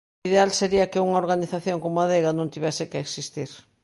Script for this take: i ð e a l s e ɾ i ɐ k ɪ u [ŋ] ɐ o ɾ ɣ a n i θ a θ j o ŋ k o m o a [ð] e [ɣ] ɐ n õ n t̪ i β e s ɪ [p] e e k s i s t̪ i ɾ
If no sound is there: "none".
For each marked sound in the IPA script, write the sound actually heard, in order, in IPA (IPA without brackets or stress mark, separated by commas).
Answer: ŋ, ð, ɣ, k